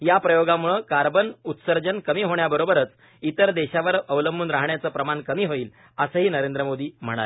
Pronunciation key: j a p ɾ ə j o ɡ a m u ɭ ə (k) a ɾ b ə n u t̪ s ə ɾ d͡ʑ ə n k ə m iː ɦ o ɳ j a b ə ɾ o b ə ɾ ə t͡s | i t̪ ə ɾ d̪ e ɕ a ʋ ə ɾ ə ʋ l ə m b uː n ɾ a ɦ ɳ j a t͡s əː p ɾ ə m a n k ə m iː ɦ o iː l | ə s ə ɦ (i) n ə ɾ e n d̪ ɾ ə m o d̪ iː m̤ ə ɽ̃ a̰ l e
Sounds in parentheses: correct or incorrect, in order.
correct, incorrect: iː

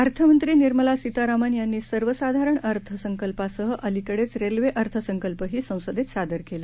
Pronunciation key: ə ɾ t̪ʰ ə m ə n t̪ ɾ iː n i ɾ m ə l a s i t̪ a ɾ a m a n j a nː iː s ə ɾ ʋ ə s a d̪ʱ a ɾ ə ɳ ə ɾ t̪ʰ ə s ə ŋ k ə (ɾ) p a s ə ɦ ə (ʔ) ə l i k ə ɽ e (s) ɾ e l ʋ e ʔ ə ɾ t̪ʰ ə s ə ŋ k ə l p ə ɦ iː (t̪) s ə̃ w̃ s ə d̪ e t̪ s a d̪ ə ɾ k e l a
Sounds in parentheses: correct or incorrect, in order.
incorrect: l, correct, incorrect: t͡s, incorrect: none

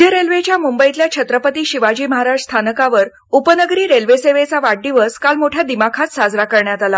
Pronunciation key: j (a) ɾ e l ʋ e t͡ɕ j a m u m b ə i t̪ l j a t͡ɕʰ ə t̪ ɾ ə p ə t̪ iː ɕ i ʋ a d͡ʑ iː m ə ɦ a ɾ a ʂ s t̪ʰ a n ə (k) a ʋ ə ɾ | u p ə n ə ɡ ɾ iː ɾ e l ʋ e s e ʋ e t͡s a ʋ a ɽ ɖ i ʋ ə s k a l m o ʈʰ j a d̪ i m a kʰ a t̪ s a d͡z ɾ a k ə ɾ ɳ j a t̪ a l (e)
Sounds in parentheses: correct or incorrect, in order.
incorrect: ə, correct, incorrect: a

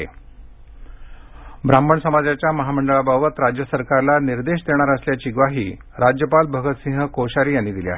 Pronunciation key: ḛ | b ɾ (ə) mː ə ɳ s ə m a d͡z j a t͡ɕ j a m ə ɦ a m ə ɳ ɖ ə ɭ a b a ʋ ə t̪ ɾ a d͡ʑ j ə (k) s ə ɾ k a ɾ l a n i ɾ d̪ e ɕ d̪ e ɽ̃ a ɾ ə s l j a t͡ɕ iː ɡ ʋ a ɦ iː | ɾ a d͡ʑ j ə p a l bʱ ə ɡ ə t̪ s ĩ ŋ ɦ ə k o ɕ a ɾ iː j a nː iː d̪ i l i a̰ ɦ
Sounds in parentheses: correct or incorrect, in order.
incorrect: a, incorrect: none

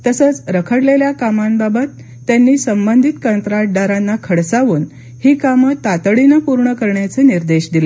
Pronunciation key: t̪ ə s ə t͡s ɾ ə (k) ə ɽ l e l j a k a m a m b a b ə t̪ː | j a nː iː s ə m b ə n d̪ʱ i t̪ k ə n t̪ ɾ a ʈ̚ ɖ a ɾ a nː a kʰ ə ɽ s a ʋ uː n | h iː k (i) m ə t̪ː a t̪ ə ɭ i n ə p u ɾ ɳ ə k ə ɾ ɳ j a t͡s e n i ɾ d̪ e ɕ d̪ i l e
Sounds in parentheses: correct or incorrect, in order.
incorrect: kʰ, incorrect: a

